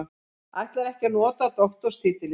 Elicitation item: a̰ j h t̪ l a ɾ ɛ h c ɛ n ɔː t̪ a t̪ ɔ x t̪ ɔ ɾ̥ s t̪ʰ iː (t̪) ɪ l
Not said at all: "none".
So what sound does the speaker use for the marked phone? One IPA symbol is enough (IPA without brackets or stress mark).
t̪